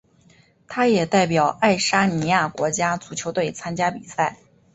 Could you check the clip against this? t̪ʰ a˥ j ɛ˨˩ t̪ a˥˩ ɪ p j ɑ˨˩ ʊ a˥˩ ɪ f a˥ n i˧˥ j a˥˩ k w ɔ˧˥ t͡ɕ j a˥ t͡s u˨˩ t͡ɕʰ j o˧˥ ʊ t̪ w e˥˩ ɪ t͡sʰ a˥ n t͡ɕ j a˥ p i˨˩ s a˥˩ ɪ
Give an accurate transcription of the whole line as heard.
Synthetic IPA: t̪ʰ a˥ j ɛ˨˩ t̪ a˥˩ ɪ p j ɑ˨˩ ʊ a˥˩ ɪ ʂ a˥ n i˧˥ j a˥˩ k w ɔ˧˥ t͡ɕ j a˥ t͡s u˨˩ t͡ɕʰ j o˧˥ ʊ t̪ w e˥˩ ɪ t͡sʰ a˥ n t͡ɕ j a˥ p i˨˩ s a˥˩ ɪ

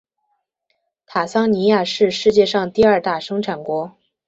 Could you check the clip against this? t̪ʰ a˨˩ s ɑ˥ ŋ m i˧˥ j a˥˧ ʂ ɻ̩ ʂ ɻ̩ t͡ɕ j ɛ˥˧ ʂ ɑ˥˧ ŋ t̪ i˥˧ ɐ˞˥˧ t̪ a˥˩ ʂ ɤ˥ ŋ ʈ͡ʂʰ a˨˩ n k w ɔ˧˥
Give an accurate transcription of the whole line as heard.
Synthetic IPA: t̪ʰ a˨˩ s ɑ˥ ŋ n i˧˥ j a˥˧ ʂ ɻ̩ ʂ ɻ̩ t͡ɕ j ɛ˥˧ ʂ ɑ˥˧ ŋ t̪ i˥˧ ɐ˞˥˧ t̪ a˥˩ ʂ ɤ˥ ŋ ʈ͡ʂʰ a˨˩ n k w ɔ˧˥

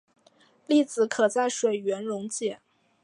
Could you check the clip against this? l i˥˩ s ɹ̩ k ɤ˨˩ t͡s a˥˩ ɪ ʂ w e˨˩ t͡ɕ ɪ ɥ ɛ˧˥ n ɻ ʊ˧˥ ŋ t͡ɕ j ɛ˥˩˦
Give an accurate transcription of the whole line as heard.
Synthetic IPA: l i˥˩ t͡s ɹ̩ kʰ ɤ˨˩ t͡s a˥˩ ɪ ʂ w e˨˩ ɪ ɥ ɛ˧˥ n ɻ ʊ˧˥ ŋ t͡ɕ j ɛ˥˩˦

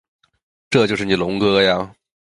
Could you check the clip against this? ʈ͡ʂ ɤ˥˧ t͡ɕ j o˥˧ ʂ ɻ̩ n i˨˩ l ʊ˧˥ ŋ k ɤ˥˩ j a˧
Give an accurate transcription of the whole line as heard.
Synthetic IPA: ʈ͡ʂ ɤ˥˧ t͡ɕ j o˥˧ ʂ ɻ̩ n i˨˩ l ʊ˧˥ ŋ k ɤ˥ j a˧

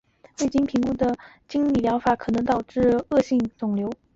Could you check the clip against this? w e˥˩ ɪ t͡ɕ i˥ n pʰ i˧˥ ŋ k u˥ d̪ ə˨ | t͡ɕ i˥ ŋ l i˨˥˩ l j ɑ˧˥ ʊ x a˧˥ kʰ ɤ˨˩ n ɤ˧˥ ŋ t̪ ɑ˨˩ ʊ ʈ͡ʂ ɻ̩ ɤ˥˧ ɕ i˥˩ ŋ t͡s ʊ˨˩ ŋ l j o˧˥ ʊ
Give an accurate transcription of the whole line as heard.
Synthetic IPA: w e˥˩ ɪ t͡ɕ i˥ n pʰ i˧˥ ŋ k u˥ d̪ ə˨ | t͡ɕ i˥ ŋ l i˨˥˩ l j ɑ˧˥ ʊ f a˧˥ kʰ ɤ˨˩ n ɤ˧˥ ŋ t̪ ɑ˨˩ ʊ ʈ͡ʂ ɻ̩ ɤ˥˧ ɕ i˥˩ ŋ t͡s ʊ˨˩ ŋ l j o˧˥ ʊ

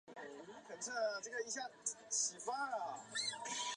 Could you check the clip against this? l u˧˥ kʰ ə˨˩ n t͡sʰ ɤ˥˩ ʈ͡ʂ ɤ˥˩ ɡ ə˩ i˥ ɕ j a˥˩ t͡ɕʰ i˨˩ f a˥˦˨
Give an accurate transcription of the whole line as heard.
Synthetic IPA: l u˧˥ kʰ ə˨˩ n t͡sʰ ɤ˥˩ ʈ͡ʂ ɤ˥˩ ɡ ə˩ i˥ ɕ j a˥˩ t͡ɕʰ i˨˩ f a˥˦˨

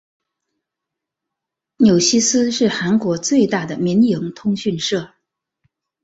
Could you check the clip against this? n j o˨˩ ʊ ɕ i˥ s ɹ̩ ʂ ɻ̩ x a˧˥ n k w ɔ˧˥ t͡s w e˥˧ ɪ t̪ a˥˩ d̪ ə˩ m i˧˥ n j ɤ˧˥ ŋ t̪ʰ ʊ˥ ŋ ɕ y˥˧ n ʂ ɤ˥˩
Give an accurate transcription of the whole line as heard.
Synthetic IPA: n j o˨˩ ʊ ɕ i˥ s ɹ̩ ʂ ɻ̩ x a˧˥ n k w ɔ˧˥ t͡s w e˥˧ ɪ t̪ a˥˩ d̪ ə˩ m i˧˥ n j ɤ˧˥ ŋ t̪ʰ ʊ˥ ŋ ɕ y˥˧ n ʂ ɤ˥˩

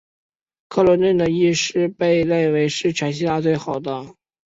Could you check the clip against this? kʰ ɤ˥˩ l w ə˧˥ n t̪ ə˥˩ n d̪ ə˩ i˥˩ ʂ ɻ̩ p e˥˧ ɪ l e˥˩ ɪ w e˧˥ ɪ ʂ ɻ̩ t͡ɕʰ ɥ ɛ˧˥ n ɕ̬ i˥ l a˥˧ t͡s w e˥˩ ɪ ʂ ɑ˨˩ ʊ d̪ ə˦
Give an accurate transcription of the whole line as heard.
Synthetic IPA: kʰ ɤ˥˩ l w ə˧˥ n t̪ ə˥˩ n d̪ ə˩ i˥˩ ʂ ɻ̩ p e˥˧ ɪ l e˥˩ ɪ w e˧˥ ɪ ʂ ɻ̩ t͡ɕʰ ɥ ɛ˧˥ n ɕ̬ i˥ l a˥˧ t͡s w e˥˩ ɪ x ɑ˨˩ ʊ d̪ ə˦

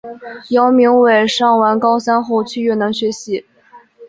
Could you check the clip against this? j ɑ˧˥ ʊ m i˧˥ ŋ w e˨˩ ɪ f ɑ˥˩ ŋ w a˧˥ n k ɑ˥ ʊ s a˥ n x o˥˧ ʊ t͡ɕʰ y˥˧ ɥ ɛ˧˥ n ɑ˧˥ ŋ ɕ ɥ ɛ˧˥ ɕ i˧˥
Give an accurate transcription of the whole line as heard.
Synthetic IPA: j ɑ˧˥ ʊ m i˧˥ ŋ w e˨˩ ɪ ʂ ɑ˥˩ ŋ w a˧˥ n k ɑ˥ ʊ s a˥ n x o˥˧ ʊ t͡ɕʰ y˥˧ ɥ ɛ˥˩ n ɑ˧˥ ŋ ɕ ɥ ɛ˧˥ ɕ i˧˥

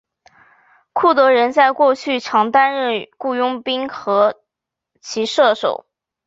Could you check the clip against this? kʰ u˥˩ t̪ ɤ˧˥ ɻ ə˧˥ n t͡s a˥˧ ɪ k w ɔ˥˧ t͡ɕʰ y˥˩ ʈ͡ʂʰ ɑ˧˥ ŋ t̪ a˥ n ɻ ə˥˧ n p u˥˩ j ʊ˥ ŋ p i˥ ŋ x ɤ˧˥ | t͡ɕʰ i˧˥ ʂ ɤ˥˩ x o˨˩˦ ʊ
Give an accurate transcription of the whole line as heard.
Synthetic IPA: kʰ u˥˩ t̪ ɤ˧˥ ɻ ə˧˥ n t͡s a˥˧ ɪ k w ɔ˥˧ t͡ɕʰ y˥˩ ʈ͡ʂʰ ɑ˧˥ ŋ t̪ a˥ n ɻ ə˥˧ n k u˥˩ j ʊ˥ ŋ p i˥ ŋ x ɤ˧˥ | t͡ɕʰ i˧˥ ʂ ɤ˥˩ ʂ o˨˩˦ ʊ

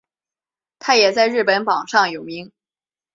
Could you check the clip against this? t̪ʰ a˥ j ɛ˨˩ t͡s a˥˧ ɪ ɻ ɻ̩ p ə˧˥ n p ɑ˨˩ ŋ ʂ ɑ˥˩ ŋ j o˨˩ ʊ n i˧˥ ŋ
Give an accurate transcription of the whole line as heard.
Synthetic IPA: t̪ʰ a˥ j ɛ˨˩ t͡s a˥˧ ɪ ɻ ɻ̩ p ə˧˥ n p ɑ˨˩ ŋ ʂ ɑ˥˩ ŋ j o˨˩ ʊ m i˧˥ ŋ

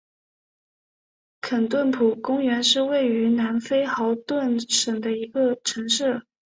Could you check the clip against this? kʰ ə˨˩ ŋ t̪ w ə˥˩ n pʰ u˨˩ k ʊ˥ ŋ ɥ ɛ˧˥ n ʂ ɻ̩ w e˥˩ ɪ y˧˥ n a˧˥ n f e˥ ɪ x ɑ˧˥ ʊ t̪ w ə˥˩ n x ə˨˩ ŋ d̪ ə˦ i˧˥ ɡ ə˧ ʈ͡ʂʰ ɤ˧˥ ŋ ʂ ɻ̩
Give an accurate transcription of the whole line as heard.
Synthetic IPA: kʰ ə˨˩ n t̪ w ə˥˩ n pʰ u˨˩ k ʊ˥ ŋ ɥ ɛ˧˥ n ʂ ɻ̩ w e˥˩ ɪ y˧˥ n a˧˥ n f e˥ ɪ x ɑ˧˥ ʊ t̪ w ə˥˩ n ʂ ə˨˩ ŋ d̪ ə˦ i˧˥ ɡ ə˧ ʈ͡ʂʰ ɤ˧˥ ŋ ʂ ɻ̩

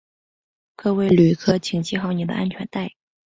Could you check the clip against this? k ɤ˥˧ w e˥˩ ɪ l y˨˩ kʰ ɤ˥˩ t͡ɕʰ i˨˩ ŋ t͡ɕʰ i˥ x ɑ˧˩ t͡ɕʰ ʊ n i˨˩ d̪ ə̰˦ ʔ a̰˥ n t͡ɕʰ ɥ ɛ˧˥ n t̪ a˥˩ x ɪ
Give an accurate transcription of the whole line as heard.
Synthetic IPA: k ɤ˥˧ w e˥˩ ɪ l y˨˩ kʰ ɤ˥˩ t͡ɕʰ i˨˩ ŋ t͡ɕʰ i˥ x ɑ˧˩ ʊ n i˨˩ d̪ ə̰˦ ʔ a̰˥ n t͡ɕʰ ɥ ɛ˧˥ n t̪ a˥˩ ɪ

